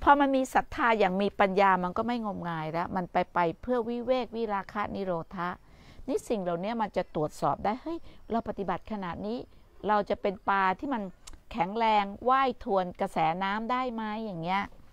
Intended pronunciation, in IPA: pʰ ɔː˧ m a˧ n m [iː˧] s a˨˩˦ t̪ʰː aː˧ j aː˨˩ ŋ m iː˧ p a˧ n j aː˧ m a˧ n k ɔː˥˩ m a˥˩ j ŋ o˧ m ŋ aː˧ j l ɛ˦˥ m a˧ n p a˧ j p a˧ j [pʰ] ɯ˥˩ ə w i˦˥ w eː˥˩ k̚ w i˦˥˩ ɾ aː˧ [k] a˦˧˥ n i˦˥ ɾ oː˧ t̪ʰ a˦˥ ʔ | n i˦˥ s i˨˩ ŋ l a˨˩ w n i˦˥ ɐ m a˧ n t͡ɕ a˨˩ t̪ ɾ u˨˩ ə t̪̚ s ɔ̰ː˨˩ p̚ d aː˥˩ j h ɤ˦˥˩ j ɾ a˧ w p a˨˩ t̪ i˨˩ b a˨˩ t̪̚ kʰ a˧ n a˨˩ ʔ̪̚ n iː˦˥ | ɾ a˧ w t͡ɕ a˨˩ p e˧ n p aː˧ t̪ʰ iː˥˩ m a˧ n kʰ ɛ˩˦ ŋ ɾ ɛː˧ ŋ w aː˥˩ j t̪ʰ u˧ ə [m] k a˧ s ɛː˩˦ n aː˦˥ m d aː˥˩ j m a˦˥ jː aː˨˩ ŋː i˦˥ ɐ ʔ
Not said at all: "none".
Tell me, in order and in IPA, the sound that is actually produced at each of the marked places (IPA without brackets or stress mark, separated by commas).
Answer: iː˧, pʰ, kʰ, n